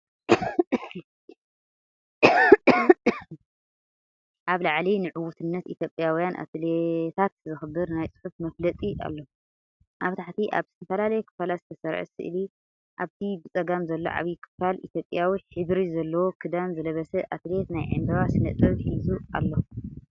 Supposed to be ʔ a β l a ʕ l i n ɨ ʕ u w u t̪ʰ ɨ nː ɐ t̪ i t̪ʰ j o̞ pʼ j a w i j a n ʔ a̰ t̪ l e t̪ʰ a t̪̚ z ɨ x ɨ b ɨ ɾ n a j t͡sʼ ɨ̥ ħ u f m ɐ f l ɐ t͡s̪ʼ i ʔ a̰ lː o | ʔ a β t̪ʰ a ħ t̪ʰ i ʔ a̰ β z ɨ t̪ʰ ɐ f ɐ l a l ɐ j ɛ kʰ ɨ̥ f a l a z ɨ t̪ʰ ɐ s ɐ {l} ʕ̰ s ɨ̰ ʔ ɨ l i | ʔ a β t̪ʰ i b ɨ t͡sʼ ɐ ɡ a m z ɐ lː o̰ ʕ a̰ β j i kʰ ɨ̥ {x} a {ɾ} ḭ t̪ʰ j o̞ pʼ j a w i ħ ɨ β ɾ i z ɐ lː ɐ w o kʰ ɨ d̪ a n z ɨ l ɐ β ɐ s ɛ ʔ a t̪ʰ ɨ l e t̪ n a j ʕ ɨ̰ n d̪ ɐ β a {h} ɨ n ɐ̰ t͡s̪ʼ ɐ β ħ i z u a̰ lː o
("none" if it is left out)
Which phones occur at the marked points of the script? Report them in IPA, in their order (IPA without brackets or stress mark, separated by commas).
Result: ɾ, f, l, s